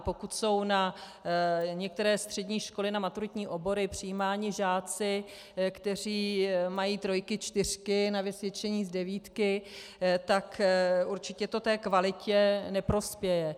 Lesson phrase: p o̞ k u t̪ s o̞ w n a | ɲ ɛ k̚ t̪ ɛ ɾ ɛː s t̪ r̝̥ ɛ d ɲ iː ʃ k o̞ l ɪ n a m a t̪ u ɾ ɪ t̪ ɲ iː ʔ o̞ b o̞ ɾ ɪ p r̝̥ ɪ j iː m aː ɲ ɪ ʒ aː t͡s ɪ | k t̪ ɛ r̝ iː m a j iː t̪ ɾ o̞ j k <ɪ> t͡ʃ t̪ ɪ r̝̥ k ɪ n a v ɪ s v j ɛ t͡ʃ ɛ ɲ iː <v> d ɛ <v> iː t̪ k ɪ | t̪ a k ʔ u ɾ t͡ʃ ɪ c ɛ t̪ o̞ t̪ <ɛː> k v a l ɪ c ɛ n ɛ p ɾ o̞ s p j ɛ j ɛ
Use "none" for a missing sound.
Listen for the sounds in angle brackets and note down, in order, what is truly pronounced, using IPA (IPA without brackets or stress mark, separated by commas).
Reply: ɪ, z, v, ɛː